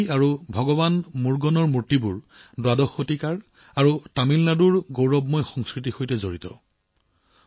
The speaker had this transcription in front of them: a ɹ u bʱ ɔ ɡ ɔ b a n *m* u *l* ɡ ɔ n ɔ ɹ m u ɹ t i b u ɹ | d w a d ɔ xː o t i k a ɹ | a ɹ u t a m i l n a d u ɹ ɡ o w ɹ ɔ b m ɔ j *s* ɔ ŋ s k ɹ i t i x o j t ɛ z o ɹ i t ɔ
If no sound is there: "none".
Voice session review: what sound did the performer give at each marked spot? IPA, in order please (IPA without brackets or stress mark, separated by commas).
m, ɹ, x